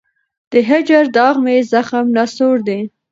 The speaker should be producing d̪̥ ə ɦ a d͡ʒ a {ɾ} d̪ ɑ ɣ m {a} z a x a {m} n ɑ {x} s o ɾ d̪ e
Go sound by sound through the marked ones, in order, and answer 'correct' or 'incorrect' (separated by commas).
correct, incorrect, correct, incorrect